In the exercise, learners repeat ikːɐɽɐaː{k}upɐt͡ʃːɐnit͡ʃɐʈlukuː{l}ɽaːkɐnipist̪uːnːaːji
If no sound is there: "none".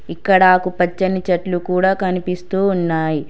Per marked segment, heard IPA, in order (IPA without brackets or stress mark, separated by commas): k, none